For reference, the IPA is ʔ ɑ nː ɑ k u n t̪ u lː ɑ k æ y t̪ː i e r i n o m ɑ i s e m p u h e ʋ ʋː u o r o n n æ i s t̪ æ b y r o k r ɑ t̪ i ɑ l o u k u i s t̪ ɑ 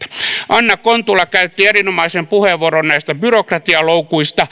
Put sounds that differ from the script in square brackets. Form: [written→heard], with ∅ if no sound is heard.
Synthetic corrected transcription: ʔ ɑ nː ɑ k [u→o] n t̪ u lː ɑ k æ y t̪ː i e r i n o m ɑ i s e m p u h e ʋ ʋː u o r o n n æ i s t̪ æ b y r o k r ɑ t̪ i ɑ l o u k u i s t̪ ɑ